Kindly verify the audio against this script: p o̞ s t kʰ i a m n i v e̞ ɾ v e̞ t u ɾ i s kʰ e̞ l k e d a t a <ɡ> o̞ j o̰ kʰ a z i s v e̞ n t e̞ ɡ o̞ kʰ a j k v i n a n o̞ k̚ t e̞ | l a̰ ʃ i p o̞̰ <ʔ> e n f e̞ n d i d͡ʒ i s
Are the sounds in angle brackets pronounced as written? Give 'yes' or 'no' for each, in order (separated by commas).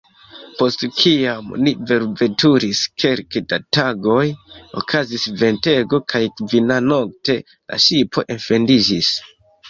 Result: yes, yes